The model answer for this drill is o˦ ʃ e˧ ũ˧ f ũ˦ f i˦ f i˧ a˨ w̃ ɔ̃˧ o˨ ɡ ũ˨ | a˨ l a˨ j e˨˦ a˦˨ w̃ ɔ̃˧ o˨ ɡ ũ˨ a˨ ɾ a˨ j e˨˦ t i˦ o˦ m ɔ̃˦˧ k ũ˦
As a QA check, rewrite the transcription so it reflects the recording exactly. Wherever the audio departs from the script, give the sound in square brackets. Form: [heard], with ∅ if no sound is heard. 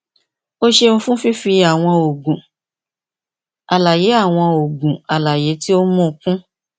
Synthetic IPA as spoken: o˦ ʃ e˧ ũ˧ f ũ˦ f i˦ f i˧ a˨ w̃ ɔ̃˧ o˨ ɡ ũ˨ | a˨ l a˨ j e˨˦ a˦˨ w̃ ɔ̃˧ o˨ ɡ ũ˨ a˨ [l] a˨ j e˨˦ t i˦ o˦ m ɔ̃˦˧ k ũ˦